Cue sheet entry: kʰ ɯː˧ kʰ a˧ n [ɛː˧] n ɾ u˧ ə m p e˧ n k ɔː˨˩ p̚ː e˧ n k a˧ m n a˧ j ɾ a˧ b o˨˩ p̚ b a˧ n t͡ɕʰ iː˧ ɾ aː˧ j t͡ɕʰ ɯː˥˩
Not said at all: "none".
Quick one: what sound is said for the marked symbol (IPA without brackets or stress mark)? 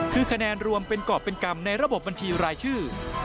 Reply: ɛː˧